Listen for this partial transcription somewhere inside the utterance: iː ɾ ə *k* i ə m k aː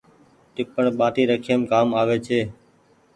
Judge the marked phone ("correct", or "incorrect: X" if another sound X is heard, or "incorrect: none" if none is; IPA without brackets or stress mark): incorrect: kʰ